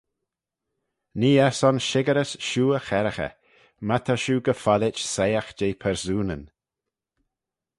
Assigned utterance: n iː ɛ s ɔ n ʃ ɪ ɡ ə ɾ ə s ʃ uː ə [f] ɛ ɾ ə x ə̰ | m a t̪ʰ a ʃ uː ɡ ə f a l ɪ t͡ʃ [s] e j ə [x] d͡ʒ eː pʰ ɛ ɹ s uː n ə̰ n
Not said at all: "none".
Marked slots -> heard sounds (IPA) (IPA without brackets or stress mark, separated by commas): x, s, x